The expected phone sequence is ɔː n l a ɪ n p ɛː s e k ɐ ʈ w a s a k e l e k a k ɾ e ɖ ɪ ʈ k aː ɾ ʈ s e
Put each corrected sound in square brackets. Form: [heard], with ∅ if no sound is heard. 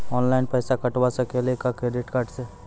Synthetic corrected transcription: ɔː n l a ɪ n p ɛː s [a] k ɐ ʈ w a s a k e l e k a k ɾ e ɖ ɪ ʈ k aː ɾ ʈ s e